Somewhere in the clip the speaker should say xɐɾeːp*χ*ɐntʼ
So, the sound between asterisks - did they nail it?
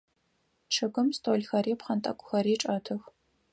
yes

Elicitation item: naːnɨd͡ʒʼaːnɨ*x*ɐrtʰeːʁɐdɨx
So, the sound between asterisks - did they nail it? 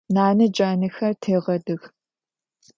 yes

